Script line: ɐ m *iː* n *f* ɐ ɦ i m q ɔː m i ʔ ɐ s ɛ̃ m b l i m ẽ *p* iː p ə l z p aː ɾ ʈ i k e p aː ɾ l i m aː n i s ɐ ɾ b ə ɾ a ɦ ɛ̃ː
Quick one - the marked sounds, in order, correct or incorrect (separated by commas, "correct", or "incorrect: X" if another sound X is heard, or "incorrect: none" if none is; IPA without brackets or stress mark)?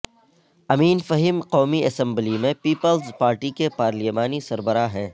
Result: correct, correct, correct